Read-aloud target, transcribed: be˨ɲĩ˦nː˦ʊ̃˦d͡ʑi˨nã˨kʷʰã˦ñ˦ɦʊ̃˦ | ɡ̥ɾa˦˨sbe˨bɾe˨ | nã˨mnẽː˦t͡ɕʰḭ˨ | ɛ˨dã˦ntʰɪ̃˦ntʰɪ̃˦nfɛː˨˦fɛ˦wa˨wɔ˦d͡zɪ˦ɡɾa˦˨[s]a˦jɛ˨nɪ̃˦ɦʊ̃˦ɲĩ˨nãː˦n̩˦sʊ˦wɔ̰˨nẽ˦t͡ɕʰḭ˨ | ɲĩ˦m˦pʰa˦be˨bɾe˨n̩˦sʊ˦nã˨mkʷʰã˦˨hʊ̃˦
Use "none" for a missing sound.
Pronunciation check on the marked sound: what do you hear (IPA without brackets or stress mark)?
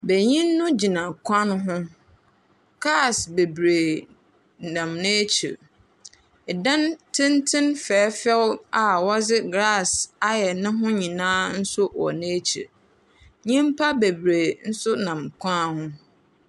s